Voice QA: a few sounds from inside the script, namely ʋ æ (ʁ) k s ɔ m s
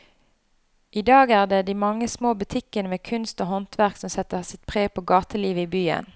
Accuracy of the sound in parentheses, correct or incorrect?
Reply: correct